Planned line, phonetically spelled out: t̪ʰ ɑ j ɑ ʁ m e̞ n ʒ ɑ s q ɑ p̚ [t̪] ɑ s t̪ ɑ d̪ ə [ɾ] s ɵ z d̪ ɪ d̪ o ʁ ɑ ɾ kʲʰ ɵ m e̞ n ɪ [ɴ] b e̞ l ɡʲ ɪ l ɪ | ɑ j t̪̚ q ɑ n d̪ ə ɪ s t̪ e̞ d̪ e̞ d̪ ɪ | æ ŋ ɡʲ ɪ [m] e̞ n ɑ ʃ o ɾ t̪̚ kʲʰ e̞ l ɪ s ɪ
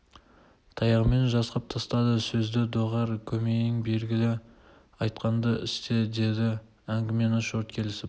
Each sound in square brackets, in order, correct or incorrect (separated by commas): incorrect, incorrect, incorrect, correct